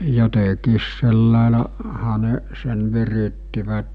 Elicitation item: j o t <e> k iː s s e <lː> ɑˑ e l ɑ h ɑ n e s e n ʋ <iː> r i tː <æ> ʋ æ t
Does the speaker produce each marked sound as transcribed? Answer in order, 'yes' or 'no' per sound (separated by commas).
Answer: yes, yes, no, no